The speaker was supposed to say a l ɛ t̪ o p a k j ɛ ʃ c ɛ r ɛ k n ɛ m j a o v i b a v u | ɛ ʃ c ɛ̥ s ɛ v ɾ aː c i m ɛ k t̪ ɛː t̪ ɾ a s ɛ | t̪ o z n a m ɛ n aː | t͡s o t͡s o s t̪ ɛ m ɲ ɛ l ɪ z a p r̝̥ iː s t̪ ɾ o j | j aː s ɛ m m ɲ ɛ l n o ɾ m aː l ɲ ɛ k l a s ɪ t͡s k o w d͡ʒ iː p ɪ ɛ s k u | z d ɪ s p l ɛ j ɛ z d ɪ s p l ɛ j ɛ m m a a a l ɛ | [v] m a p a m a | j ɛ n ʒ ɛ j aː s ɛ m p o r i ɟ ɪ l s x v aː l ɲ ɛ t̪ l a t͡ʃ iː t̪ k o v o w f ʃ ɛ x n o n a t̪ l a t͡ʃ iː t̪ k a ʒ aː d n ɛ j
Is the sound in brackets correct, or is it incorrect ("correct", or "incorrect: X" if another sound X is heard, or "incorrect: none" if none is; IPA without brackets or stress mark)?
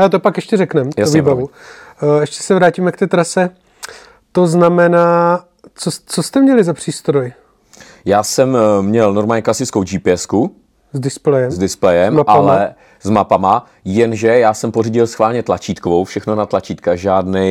incorrect: z